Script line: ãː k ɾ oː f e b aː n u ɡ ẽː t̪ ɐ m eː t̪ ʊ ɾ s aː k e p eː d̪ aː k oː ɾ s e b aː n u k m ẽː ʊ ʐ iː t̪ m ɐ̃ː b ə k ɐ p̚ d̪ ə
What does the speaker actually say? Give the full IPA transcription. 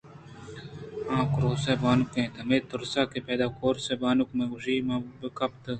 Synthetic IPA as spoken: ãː k ɾ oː s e b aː n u k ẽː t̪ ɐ m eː t̪ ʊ ɾ s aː k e p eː d̪ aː k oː ɾ s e b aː n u k m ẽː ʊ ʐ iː m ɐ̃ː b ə k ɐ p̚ t̪ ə

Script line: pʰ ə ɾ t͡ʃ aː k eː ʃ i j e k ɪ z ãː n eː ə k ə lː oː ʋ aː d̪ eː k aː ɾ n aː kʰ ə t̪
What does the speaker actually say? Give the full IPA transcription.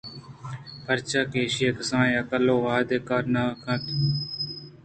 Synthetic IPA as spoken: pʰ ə ɾ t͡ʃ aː k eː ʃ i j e k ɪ s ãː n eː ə k ə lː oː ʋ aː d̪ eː k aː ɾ n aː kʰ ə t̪

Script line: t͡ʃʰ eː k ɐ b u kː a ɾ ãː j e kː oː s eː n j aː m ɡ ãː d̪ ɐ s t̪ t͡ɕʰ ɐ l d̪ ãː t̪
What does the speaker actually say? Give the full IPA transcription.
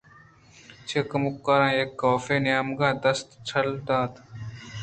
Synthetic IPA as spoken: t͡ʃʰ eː k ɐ m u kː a ɾ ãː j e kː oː f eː n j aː m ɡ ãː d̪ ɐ s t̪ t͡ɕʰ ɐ l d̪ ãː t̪

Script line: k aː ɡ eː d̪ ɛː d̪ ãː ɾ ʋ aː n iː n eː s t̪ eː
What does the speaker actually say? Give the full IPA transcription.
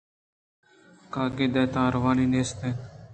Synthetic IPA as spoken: k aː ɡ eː d̪ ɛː t̪ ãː ɾ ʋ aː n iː n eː s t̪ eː

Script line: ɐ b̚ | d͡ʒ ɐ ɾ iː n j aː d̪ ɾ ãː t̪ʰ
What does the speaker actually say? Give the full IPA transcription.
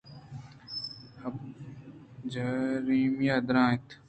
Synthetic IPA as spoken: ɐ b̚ | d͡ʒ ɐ ɾ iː m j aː d̪ ɾ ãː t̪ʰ

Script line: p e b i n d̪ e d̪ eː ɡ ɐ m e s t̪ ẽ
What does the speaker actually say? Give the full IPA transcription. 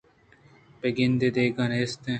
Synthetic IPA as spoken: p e ɡ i n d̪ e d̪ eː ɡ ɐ n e s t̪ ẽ

